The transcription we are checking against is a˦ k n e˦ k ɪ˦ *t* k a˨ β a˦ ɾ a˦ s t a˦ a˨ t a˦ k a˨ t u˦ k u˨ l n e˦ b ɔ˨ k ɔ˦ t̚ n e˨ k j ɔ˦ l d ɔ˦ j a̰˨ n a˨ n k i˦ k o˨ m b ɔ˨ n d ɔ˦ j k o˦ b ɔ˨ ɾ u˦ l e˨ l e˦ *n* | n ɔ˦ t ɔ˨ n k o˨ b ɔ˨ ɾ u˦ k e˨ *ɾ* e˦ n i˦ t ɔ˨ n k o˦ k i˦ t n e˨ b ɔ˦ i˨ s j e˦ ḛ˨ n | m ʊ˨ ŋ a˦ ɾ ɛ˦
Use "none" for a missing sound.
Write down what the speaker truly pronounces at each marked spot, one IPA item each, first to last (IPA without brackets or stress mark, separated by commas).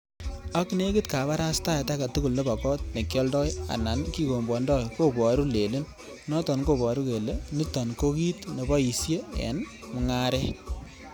t, n, l